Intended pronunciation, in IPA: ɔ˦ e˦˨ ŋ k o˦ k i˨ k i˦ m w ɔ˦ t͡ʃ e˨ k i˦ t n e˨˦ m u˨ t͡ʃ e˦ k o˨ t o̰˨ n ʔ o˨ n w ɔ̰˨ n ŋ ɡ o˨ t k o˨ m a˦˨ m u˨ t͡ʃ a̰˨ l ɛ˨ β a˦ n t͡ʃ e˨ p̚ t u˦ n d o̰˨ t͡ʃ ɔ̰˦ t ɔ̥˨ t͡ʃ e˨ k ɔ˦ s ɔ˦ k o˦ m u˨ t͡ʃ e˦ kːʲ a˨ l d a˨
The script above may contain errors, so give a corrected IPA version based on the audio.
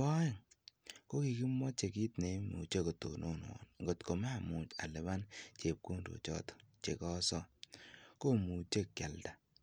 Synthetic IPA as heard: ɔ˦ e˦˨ ŋ k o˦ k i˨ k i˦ m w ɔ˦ t͡ʃ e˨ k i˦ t n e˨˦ m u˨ t͡ʃ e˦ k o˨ t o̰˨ n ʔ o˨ n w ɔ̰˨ n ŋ ɡ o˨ t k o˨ m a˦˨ m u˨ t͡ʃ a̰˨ l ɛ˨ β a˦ n t͡ʃ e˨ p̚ k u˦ n d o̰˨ t͡ʃ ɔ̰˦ t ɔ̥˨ t͡ʃ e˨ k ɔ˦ s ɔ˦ k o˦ m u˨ t͡ʃ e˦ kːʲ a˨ l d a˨

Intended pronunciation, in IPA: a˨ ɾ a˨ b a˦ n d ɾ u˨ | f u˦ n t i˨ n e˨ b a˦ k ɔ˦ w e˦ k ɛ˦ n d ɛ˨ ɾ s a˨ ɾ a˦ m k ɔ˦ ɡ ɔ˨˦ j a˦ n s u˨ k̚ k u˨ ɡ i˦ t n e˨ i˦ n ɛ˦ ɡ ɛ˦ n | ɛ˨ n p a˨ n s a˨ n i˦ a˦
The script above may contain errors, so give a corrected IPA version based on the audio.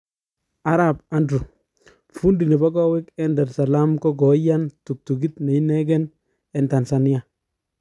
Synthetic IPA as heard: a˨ ɾ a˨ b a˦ n d ɾ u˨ | f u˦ n d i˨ n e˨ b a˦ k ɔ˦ w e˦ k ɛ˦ n d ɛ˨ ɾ s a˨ l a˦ m k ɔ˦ ɡ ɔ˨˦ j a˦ n t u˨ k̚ t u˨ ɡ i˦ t n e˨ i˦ n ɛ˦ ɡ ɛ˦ n | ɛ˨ n t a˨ n s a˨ n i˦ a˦

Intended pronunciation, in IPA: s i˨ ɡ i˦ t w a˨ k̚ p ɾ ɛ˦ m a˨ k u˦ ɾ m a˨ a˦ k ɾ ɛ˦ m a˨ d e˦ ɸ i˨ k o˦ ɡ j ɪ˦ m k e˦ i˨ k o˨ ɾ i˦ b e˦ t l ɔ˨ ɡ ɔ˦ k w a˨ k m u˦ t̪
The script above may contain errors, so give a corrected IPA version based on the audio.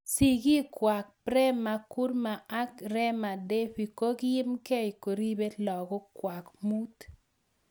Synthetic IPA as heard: s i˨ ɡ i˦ k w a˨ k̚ p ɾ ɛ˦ m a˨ k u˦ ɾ m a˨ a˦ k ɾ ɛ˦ m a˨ d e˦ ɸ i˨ k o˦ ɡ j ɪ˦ m k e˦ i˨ k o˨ ɾ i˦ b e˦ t l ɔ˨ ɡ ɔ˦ k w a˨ k m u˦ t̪

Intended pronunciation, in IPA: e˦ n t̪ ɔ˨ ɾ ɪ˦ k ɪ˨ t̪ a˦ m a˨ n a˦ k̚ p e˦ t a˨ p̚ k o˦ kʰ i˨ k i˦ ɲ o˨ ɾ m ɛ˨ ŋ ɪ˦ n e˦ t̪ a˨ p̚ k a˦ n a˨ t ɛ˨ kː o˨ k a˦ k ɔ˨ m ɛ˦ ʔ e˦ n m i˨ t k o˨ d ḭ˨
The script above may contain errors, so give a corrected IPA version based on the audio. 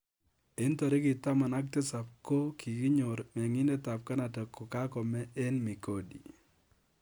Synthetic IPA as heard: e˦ n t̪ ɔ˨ ɾ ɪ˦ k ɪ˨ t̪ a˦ m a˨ n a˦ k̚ t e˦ s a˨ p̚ k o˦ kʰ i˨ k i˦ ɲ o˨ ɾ m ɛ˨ ŋ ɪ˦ n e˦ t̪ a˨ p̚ k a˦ n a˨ t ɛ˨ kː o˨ k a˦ k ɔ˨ m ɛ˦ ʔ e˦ n m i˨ k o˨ d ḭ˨

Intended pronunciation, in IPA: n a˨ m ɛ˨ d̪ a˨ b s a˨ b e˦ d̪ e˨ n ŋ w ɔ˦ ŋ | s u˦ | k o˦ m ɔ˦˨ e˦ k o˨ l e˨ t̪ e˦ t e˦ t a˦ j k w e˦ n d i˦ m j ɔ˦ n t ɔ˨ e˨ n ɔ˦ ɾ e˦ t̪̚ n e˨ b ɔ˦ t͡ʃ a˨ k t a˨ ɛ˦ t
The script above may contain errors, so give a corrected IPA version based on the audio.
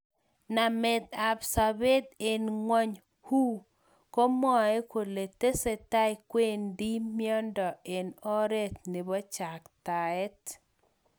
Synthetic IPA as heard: n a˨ m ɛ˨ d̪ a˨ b s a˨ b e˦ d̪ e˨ n ŋ w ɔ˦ ɲ | h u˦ | k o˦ m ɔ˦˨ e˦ k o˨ l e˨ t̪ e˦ s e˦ t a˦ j k w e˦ n d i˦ m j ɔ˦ n d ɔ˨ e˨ n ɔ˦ ɾ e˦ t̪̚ n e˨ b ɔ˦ t͡ʃ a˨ k t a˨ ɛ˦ t

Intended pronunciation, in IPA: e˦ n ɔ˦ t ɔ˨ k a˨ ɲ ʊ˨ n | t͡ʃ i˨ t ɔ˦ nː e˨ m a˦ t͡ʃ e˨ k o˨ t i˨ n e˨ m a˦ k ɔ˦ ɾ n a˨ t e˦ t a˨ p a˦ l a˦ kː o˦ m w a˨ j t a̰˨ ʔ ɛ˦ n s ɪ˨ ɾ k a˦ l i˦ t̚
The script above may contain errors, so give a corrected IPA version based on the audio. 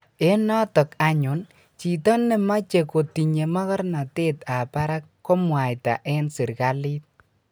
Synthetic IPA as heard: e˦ n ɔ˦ t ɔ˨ k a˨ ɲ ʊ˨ n | t͡ʃ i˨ t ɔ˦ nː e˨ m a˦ t͡ʃ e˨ k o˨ t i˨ ɲ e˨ m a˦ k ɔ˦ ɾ n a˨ t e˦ t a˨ p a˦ ɾ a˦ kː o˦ m w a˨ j t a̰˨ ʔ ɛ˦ n s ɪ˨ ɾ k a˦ l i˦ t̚

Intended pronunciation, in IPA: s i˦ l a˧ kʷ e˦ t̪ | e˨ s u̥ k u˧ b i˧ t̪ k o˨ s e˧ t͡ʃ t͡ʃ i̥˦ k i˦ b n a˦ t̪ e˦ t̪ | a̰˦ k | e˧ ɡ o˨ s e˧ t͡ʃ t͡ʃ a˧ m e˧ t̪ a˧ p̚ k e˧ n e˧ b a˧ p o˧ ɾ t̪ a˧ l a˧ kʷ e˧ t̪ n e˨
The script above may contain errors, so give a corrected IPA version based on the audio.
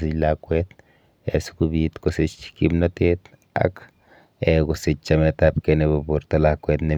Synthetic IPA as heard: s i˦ l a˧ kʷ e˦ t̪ | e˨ s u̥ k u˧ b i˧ t̪ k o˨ s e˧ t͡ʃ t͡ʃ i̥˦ k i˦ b n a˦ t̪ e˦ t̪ | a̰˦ k | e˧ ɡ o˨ s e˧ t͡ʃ t͡ʃ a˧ m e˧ t̪ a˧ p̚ k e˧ n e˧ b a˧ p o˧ ɾ t̪ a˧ l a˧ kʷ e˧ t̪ n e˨

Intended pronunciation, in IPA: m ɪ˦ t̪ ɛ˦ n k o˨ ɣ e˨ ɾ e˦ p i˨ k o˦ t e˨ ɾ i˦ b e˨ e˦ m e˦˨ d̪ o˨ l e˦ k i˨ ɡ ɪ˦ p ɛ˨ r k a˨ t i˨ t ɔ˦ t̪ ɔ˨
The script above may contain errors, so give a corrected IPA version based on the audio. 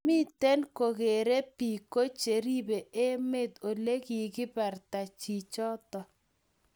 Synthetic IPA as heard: m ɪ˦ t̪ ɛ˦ n k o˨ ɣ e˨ ɾ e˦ p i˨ k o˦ t͡ʃ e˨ ɾ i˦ b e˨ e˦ m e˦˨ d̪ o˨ l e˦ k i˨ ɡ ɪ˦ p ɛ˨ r t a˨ t͡ʃ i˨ t͡ʃ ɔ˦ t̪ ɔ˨

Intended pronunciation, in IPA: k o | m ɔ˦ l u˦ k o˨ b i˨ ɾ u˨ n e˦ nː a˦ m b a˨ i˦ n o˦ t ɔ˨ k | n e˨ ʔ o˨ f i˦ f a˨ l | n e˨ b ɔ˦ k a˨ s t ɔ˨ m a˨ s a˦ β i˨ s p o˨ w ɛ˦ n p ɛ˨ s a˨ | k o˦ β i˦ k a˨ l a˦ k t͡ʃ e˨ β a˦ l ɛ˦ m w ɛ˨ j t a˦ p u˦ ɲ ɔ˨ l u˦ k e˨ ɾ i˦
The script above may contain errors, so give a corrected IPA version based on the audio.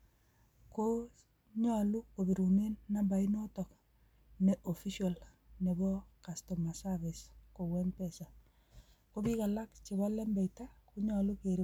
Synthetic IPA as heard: k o | ɲ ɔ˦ l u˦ k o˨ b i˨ ɾ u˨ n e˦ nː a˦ m b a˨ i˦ n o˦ t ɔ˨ k | n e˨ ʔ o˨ f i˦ ʃ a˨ l | n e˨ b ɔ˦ k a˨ s t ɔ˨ m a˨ s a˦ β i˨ s k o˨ w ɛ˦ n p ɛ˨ s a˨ | k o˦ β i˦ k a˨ l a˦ k t͡ʃ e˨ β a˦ l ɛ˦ m b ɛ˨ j t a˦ k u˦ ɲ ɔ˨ l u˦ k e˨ ɾ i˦

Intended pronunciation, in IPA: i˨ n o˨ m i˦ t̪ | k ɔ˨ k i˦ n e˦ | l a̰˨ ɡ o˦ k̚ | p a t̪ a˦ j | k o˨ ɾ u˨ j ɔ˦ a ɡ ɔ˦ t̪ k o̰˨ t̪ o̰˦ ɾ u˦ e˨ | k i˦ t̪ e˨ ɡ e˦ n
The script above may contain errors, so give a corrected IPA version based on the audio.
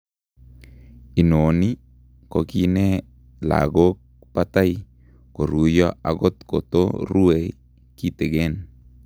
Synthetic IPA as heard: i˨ n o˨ n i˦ | k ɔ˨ k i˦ n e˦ | l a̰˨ ɡ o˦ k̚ | p a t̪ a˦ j | k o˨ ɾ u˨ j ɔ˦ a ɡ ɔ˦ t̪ k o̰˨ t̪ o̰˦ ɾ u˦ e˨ | k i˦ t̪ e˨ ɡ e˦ n

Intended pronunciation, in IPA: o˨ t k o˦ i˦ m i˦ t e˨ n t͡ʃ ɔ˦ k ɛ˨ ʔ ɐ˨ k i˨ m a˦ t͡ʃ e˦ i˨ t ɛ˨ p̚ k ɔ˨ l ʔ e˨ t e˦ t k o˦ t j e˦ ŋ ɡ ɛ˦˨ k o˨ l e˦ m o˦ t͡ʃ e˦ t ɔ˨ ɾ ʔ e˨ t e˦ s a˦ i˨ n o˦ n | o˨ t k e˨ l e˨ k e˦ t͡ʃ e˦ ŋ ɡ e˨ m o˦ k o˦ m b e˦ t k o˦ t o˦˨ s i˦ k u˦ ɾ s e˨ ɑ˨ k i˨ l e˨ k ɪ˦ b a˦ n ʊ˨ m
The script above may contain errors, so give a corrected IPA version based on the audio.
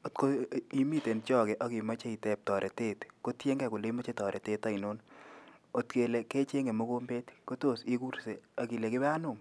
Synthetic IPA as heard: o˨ t k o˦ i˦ m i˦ t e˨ n t͡ʃ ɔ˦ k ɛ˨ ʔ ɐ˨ k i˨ m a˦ t͡ʃ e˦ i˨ t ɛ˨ p̚ t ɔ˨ ɾ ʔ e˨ t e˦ t k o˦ t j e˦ ŋ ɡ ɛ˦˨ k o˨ l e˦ m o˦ t͡ʃ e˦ t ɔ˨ ɾ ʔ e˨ t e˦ t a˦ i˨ n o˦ n | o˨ t k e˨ l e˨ k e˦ t͡ʃ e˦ ŋ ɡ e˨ m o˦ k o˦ m b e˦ t k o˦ t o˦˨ s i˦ k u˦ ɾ s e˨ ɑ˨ k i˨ l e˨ k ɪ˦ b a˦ n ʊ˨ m

